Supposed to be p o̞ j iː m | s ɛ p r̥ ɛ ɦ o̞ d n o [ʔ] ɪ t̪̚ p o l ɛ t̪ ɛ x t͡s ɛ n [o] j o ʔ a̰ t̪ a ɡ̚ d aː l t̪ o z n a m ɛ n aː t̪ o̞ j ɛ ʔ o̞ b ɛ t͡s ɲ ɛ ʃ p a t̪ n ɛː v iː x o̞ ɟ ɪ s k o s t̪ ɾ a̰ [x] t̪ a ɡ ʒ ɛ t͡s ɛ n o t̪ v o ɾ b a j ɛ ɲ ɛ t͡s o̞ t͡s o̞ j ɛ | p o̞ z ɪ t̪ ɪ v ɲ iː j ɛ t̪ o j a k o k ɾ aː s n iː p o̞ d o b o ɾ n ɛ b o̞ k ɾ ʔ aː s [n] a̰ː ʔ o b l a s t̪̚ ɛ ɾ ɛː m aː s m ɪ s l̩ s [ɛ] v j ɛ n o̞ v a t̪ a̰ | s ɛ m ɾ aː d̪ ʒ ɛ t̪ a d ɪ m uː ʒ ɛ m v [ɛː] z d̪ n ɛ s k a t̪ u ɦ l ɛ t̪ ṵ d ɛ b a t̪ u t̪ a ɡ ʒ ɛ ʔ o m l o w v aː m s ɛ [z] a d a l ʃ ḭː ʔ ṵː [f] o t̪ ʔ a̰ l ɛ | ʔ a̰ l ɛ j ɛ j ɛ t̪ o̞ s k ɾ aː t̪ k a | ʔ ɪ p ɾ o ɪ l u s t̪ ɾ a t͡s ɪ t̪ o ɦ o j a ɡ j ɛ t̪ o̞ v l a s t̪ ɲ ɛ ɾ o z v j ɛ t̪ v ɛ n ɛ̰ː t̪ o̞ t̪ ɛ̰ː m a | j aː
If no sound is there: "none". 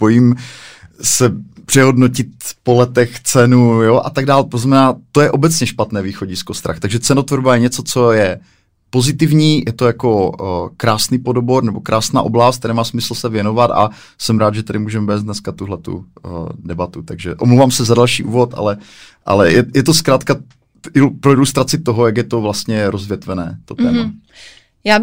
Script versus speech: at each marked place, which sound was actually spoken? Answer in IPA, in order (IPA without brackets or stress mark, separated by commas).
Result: c, u, x, n, ɛ, ɛː, z, v